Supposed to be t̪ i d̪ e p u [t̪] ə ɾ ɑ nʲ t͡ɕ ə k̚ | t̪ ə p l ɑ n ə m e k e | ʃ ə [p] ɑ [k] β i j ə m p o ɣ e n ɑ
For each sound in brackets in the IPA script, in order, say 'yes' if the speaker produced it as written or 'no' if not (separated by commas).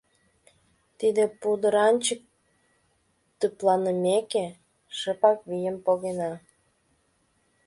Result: no, yes, yes